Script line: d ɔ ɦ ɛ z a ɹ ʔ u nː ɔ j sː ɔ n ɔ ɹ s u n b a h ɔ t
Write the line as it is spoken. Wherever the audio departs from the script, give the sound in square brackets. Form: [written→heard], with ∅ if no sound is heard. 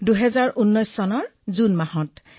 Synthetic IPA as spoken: d [ɔ→u] ɦ ɛ z a ɹ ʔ u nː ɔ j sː ɔ n ɔ ɹ [s→z] u n [b→m] a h ɔ t

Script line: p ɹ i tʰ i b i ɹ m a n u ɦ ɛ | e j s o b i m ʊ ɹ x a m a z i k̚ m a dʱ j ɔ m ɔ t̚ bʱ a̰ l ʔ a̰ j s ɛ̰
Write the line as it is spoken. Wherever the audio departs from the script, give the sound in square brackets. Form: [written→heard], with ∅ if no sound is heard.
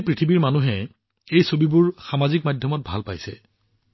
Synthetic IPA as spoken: p ɹ i tʰ i b i ɹ m a n u ɦ ɛ | e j s o b i [m→b] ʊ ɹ x a m a z i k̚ m a dʱ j ɔ m ɔ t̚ bʱ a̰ l [ʔ→p] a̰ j s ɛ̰

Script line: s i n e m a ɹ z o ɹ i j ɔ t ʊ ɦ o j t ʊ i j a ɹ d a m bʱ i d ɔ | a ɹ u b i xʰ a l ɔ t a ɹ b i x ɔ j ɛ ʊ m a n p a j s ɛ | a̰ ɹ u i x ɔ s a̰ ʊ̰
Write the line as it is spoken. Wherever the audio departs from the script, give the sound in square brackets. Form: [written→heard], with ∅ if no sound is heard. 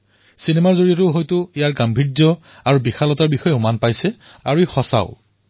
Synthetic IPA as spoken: s i n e m a ɹ z o ɹ i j ɔ t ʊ ɦ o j t ʊ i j a ɹ [d→ɡ] a m bʱ i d ɔ | a ɹ u b i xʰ a l ɔ t a ɹ b i x ɔ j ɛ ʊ m a n p a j s ɛ | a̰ ɹ u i x ɔ s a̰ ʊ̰

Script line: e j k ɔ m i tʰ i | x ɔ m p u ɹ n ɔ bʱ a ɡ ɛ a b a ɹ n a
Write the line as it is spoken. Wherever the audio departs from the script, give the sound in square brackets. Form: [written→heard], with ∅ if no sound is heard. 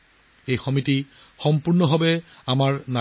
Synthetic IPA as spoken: e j [k→x] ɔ m i [tʰ→t] i | x ɔ m p u ɹ n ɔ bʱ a [ɡ→b] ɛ a [b→m] a ɹ n a

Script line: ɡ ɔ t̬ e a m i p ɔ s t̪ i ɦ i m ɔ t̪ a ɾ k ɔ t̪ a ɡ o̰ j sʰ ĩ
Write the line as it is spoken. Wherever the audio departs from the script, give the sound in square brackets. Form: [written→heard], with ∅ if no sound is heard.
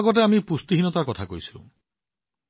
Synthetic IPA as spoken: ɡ ɔ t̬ e a m i p [ɔ→u] s t̪ i ɦ i [m→n] ɔ t̪ a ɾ k ɔ [t̪→t̪ʰ] a [ɡ→k] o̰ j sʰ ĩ

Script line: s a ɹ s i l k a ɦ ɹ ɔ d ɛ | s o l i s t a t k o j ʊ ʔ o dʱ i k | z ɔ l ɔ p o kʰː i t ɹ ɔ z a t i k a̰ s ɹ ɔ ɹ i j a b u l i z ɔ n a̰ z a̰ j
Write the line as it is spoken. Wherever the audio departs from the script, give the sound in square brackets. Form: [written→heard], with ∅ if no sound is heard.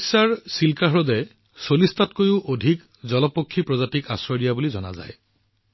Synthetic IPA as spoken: s a ɹ s i l k a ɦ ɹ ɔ d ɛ | s o l i s t a t k o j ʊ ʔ o dʱ i k | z ɔ l ɔ p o kʰː i [t→p] ɹ ɔ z a t i k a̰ s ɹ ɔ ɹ i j a b u l i z ɔ n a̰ z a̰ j

